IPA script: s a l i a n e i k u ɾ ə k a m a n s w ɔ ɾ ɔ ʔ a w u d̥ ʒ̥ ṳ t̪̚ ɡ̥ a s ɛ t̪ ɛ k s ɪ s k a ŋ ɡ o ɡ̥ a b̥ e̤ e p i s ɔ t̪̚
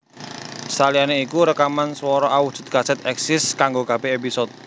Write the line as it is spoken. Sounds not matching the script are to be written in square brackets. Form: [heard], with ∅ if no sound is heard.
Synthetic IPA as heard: s a l i a n e i k u ɾ ə k a m a n s w ɔ ɾ ɔ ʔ a w u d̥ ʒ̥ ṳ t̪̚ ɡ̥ a s ɛ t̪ ɛ k s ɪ s k a ŋ ɡ o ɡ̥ a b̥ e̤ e p i s ɔ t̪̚